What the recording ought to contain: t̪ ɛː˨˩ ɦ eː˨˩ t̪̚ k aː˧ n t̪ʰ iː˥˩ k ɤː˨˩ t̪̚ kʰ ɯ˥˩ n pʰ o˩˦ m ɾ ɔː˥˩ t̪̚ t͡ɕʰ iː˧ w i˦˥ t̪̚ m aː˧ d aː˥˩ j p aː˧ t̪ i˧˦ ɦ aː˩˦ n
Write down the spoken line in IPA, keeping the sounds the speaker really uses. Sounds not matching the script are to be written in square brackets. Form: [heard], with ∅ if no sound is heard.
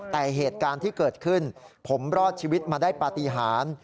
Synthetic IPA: t̪ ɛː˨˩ ɦ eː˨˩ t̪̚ k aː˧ n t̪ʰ iː˥˩ k ɤː˨˩ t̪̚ kʰ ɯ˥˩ n pʰ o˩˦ m ɾ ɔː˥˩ t̪̚ t͡ɕʰ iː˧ w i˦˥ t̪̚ m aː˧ d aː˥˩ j p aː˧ t̪ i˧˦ ɦ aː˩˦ n